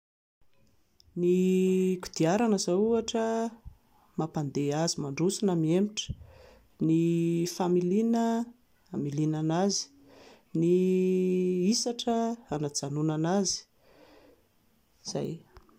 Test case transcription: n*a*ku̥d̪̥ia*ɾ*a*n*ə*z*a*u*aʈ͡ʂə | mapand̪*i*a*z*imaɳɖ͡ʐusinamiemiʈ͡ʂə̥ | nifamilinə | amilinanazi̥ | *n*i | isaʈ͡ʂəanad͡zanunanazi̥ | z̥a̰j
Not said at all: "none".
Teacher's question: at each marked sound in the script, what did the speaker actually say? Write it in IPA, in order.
i, ɾ, n, z, u, e, z, n

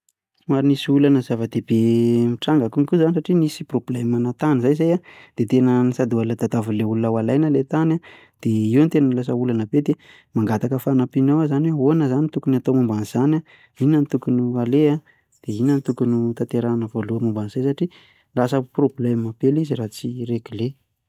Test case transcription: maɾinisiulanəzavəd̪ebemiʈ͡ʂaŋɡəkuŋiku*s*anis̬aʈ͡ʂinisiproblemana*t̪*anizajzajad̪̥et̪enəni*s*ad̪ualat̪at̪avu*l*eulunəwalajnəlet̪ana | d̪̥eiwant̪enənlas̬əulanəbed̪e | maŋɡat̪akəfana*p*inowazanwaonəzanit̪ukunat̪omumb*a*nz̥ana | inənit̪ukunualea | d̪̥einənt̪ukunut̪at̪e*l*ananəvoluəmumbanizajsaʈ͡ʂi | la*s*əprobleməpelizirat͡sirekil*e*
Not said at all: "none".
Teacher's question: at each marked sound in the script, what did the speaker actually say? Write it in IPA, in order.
z, t̪, s, l, p, a, ɾ, s, e

